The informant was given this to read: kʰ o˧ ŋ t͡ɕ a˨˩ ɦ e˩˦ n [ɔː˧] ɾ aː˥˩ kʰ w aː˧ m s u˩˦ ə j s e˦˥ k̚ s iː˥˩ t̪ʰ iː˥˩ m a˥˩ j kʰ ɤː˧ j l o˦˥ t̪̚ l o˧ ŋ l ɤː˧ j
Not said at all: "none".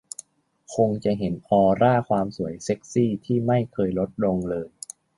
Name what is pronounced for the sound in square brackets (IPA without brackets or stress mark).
ɔː˧